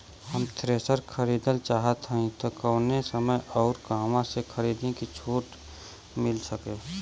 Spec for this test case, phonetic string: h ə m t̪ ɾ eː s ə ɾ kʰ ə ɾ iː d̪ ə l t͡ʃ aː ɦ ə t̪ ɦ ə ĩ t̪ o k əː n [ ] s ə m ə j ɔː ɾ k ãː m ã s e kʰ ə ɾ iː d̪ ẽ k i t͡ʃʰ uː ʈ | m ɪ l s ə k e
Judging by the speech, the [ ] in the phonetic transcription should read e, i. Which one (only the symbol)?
e